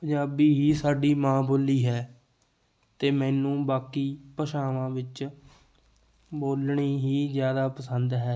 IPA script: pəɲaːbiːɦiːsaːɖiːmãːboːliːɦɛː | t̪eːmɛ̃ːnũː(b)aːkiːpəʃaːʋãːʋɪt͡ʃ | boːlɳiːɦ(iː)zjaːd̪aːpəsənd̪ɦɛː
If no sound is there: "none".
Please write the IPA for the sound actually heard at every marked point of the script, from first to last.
b, iː

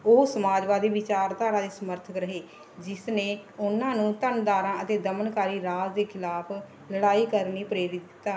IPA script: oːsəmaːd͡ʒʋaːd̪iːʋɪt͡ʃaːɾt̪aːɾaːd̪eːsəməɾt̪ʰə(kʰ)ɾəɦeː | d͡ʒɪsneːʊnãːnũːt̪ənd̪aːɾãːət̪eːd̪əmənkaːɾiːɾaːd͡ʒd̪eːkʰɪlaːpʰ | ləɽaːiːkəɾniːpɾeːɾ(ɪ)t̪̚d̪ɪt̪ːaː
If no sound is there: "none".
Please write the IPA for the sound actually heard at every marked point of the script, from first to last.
k, ɪ

